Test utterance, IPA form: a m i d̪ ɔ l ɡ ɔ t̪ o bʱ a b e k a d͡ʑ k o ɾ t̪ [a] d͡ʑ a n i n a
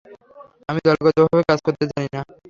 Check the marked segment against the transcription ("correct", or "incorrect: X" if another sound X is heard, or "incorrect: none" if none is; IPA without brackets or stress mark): incorrect: e